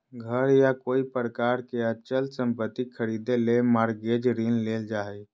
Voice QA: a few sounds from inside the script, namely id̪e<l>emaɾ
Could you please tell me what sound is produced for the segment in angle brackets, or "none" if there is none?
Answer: l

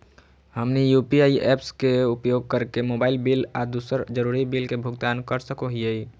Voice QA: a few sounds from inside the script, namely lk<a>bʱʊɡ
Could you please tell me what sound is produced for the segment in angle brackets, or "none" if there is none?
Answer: e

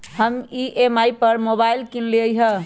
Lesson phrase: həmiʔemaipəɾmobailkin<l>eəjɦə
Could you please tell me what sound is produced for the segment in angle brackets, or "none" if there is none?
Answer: l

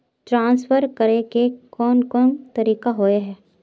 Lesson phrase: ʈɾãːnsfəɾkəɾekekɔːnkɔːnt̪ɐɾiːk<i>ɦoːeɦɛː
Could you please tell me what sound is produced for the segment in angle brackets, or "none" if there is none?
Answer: a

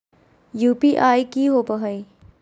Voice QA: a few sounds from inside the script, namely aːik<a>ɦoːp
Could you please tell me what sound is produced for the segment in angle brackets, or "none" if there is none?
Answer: i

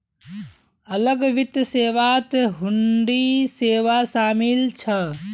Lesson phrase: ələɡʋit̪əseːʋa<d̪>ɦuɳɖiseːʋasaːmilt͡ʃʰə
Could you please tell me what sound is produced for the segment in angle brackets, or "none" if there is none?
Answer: t̪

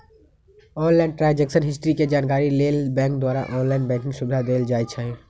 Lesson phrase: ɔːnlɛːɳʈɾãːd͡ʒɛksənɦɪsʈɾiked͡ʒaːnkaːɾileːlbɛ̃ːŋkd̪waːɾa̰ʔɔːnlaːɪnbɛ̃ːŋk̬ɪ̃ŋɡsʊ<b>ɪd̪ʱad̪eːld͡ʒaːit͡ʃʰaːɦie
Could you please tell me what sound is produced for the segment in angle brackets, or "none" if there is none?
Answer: b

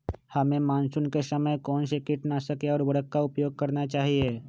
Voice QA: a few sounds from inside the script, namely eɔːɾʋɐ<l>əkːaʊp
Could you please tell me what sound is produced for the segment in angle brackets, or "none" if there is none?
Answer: ɽ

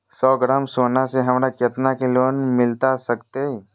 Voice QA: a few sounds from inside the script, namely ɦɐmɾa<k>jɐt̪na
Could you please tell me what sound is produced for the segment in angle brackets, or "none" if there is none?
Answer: k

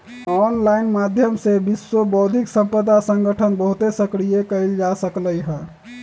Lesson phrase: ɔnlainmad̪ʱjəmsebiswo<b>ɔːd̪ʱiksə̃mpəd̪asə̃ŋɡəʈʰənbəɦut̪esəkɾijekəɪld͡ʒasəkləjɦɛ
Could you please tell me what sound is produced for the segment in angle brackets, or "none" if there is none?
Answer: b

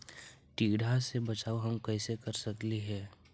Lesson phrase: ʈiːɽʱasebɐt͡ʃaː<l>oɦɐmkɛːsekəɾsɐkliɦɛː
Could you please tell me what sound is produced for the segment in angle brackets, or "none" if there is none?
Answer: none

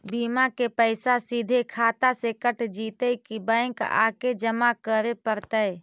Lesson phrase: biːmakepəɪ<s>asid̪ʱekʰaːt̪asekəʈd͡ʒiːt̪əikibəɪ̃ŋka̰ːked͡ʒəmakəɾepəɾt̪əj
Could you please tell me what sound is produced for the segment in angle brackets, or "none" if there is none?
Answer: s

